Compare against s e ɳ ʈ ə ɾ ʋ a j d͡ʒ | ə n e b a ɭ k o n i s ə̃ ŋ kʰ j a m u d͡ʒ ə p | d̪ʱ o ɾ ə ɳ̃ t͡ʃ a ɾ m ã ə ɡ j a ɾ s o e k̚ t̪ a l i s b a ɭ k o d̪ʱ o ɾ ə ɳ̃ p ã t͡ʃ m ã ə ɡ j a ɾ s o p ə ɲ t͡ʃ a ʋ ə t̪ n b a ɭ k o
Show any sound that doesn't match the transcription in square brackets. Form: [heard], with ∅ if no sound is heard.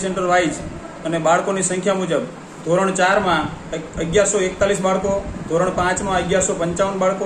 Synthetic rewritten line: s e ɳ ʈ ə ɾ ʋ a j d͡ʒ | ə n e b a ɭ k o n i s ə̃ ŋ kʰ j a m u d͡ʒ ə [b] | d̪ʱ o ɾ ə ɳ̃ t͡ʃ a ɾ m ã ə ɡ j a ɾ s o e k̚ t̪ a l i s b a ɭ k o d̪ʱ o ɾ ə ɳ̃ p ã t͡ʃ m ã ə ɡ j a ɾ s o p ə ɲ t͡ʃ a ʋ ə [∅] n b a ɭ k o

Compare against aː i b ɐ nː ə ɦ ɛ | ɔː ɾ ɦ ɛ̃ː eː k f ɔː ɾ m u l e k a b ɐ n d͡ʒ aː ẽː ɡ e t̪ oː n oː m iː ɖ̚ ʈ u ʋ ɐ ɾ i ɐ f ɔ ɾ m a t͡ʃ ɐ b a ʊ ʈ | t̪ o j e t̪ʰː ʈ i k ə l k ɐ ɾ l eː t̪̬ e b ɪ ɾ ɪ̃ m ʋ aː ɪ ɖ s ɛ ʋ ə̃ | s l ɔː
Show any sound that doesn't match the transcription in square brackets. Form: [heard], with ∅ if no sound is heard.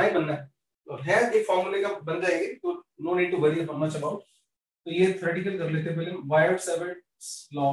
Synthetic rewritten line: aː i b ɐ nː [a] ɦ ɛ | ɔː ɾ ɦ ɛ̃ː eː k f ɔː ɾ m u l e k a b ɐ n d͡ʒ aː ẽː ɡ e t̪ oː n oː [n] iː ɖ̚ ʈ u ʋ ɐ ɾ i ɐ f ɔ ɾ m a t͡ʃ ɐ b a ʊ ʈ | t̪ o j e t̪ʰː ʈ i k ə l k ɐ ɾ l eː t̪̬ e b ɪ [l] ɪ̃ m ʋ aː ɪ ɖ s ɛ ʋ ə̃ | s l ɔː

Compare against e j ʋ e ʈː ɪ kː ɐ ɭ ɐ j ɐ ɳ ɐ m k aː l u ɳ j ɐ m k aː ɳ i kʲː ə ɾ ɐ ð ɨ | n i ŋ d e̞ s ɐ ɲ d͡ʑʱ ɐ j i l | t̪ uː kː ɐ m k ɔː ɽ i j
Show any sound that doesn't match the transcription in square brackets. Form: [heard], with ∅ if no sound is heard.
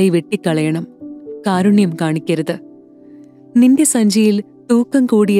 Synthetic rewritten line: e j ʋ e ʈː [i] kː ɐ ɭ ɐ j ɐ ɳ ɐ m k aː [ɾ] u ɳ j ɐ m k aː ɳ i kʲː [ɐ] ɾ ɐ ð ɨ | n i [n] d e̞ s ɐ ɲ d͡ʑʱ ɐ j i l | t̪ uː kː ɐ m k [uː] ɽ i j

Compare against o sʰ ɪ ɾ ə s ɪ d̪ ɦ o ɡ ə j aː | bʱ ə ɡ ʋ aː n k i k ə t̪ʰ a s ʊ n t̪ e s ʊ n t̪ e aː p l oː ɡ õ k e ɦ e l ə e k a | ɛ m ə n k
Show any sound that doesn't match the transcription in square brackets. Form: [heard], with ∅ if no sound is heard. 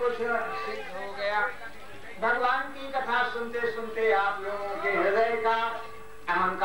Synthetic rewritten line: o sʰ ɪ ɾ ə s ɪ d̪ ɦ o ɡ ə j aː | bʱ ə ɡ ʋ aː n k i k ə t̪ʰ a s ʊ n t̪ e s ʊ n t̪ e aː p l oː ɡ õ k e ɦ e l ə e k a | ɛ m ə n k

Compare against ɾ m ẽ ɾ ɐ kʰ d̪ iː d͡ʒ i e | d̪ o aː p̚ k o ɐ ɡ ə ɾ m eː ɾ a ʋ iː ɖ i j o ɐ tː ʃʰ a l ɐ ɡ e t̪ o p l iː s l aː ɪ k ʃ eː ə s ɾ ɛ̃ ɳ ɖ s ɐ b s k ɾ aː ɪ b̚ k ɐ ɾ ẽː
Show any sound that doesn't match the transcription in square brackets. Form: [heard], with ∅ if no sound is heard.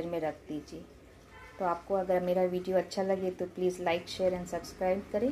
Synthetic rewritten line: ɾ m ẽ ɾ ɐ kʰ d̪ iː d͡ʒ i e | [t̪] o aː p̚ k o ɐ ɡ ə ɾ m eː ɾ a ʋ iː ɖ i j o ɐ tː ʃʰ a l ɐ ɡ e t̪ o p l iː [z] l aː ɪ k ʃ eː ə [∅] ɾ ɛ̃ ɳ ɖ s ɐ b s k ɾ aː ɪ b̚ k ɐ ɾ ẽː

